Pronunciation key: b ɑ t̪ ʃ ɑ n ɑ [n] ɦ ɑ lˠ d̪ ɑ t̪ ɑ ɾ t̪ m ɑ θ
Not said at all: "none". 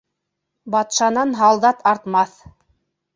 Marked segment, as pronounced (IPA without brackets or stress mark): n